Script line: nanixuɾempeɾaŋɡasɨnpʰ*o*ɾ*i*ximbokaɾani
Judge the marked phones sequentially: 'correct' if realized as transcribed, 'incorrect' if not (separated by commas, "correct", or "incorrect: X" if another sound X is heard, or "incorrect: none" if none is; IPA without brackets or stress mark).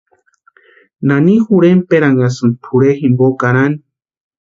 incorrect: u, incorrect: e